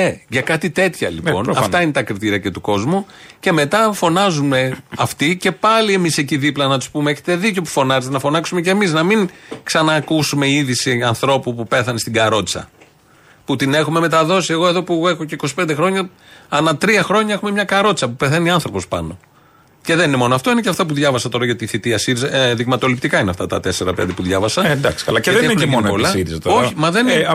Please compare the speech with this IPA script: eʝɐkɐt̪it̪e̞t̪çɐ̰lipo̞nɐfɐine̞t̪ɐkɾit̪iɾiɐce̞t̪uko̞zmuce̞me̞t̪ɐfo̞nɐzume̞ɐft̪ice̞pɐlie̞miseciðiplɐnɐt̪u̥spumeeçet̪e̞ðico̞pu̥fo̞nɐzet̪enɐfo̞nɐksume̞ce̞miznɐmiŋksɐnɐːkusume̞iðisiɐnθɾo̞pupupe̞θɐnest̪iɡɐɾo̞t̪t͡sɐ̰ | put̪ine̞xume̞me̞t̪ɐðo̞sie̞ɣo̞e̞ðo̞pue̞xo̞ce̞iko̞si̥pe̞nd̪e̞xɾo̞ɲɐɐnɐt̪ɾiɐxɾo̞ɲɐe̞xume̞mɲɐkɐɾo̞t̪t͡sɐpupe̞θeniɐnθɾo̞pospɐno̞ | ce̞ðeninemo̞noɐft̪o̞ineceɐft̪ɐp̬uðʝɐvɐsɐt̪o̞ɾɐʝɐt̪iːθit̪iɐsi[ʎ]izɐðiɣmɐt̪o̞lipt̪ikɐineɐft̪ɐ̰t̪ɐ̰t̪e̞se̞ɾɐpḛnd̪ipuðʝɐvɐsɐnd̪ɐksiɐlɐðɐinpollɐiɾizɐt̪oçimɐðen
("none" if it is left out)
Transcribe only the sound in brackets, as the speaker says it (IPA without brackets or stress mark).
ɾ